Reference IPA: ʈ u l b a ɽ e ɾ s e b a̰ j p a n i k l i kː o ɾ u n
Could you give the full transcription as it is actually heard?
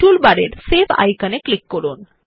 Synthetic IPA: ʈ u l b a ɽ e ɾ s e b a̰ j k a n e k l i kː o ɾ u n